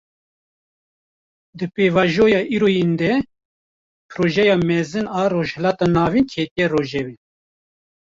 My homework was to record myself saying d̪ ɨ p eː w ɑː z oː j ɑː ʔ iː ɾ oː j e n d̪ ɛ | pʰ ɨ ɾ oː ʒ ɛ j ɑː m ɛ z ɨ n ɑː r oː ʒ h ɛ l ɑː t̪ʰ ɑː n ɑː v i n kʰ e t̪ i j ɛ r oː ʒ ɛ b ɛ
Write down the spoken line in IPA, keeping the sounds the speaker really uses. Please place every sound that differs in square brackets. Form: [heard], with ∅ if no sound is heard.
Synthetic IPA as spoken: d̪ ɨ p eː [v] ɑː [ʒ] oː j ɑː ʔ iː ɾ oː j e n d̪ ɛ | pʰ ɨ ɾ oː ʒ ɛ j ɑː m ɛ z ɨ n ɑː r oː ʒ h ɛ l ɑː [t̪] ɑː n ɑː v i n kʰ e t̪ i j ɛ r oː ʒ ɛ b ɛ